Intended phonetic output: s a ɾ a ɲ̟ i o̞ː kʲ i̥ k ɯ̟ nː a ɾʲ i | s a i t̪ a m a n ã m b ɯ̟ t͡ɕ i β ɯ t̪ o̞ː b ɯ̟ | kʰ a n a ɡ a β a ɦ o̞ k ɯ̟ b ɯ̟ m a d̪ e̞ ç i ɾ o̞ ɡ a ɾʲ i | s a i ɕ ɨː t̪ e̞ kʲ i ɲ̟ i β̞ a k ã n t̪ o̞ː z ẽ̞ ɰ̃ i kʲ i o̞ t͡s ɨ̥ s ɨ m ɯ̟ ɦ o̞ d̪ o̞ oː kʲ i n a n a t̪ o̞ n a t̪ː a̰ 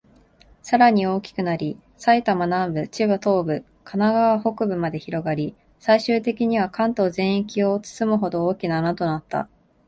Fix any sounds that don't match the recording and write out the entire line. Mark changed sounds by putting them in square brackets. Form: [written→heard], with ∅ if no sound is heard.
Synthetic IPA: s a ɾ a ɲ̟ i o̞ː kʲ i̥ k ɯ̟ [nː→n] a ɾʲ i | s a i t̪ a m a n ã m b ɯ̟ t͡ɕ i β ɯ t̪ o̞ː b ɯ̟ | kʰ a n a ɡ a β a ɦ o̞ k ɯ̟ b ɯ̟ m a d̪ e̞ ç i ɾ o̞ ɡ a ɾʲ i | s a i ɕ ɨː t̪ e̞ kʲ i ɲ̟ i β̞ a k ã n t̪ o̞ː z ẽ̞ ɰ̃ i kʲ i o̞ t͡s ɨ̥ s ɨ m ɯ̟ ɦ o̞ d̪ o̞ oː kʲ i n a n a t̪ o̞ n a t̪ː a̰